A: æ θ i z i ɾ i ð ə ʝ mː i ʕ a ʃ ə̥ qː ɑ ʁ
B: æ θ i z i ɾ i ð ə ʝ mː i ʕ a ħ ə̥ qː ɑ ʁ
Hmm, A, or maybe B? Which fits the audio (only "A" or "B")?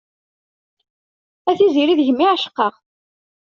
A